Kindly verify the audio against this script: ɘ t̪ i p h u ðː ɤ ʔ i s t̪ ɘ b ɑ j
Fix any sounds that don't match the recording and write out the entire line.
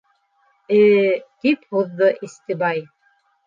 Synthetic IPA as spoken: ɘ t̪ i p h u ðː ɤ ʔ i s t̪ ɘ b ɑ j